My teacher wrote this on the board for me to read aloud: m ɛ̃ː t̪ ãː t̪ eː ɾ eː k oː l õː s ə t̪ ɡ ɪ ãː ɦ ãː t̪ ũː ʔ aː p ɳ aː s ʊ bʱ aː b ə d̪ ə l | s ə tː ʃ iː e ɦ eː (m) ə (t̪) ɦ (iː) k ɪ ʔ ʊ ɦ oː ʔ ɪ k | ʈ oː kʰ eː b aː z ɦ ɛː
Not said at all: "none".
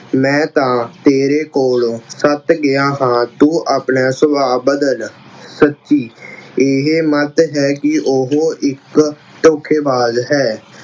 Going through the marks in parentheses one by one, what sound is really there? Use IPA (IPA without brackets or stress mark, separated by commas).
m, t̪, ɛː